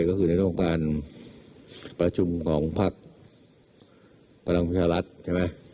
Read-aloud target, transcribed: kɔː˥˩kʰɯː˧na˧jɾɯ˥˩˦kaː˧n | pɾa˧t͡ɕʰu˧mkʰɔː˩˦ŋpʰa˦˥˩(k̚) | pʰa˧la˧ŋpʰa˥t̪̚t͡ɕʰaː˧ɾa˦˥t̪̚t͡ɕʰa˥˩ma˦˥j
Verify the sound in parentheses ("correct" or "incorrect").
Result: correct